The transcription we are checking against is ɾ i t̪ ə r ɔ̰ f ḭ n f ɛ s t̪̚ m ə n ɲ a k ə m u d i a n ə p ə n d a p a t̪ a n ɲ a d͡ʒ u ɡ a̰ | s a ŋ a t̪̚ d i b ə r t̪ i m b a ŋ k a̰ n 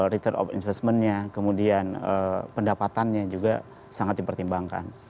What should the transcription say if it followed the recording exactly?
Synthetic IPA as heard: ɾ i t̪ ə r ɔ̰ f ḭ n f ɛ s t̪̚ m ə n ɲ a k ə m u d i a n ə p ə n d a p a t̪ a n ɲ a d͡ʒ u ɡ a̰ | s a ŋ a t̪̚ d i p ə r t̪ i m b a ŋ k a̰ n